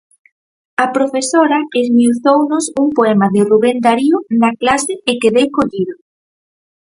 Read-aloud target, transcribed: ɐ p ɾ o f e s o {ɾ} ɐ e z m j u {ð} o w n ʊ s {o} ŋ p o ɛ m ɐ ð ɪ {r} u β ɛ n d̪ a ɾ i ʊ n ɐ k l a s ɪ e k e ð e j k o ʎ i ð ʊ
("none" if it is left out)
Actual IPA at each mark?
ɾ, θ, u, r

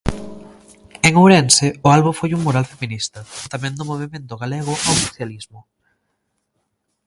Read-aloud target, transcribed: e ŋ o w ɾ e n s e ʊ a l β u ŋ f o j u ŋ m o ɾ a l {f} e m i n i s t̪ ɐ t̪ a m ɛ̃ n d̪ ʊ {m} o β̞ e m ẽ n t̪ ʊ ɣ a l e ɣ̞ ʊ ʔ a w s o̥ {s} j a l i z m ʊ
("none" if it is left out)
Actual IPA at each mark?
f, m, θ

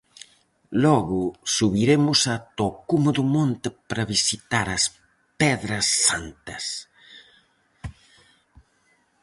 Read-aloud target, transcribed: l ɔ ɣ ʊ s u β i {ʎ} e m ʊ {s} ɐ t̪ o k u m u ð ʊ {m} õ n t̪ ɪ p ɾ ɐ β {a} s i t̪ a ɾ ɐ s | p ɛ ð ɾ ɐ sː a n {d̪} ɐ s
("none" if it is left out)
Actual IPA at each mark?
ɾ, s, m, i, t̪

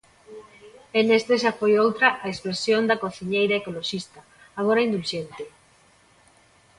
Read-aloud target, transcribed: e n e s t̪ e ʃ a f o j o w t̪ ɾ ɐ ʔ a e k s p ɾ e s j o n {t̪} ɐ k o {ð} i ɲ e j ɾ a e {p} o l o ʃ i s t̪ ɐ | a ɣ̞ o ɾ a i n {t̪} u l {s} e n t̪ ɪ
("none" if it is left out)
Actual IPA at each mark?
d̪, θ, k, d̪, ʃ

